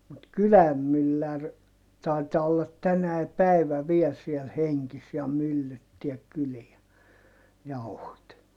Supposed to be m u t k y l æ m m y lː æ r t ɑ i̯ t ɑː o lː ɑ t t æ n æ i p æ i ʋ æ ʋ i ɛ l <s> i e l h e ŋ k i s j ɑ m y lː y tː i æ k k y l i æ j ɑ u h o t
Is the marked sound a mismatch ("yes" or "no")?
no